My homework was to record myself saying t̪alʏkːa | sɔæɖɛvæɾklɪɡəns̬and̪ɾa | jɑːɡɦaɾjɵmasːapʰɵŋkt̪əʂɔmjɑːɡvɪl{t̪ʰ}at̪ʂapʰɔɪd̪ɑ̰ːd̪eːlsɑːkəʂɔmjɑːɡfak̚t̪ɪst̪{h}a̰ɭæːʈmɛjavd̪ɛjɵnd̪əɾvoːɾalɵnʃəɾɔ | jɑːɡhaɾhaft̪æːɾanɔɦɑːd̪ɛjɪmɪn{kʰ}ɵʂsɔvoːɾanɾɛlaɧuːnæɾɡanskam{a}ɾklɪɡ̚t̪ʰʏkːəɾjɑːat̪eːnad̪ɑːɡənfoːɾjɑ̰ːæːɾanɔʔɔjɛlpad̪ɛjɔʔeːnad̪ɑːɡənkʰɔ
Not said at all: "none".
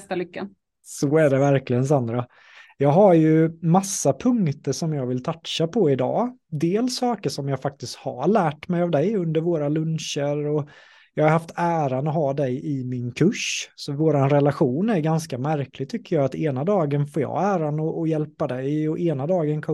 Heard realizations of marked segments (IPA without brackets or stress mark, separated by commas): t̪ʰ, h, kʰ, æ